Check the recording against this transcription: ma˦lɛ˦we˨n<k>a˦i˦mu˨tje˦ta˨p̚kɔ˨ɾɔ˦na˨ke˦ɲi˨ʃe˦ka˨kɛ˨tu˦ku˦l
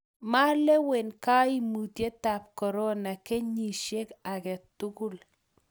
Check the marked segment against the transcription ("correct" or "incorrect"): correct